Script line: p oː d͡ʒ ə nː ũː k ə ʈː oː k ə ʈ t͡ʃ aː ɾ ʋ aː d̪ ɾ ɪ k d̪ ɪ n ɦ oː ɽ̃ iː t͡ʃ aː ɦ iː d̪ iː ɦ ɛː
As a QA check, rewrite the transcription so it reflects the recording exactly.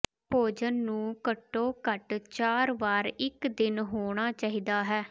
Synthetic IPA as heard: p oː d͡ʒ ə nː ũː k ə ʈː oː k ə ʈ t͡ʃ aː ɾ ʋ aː ɾ ɪ k d̪ ɪ n ɦ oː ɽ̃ aː t͡ʃ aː ɦ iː d̪ aː ɦ ɛː